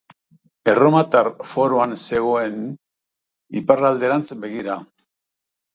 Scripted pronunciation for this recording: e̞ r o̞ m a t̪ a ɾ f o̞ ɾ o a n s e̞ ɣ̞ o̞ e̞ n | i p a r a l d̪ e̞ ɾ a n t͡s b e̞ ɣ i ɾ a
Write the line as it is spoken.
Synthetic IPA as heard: e̞ r o̞ m a t̪ a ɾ f o̞ ɾ o a n s e̞ ɣ̞ o̞ e̞ n | i p a r a l d̪ e̞ ɾ a n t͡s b e̞ ɣ i ɾ a